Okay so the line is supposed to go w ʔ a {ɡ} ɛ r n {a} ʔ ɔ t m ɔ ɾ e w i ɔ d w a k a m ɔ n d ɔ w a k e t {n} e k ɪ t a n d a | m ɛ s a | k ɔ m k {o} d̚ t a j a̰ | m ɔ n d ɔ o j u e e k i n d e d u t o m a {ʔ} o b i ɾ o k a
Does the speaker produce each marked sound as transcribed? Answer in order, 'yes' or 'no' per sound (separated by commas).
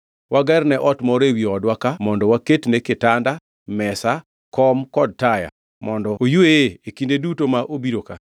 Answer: yes, no, yes, no, yes